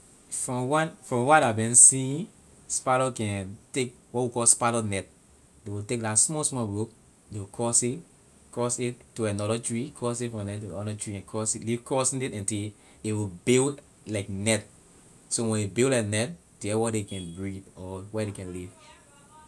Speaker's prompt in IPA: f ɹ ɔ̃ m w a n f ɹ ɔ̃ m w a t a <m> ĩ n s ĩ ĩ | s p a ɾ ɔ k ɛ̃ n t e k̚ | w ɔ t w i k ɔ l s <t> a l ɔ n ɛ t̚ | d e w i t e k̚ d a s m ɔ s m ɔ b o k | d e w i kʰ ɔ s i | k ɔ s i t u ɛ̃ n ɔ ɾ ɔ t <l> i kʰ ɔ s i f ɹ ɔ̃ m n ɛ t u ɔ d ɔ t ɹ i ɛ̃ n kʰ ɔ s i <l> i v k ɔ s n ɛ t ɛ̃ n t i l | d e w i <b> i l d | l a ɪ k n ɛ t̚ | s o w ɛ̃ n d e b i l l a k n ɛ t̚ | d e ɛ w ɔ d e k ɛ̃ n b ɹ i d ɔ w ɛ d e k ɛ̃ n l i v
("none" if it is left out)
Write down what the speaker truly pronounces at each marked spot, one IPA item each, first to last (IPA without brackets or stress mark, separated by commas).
b, p, ɹ, l, b